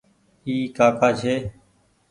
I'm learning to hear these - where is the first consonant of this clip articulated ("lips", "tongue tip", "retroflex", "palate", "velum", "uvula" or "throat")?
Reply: velum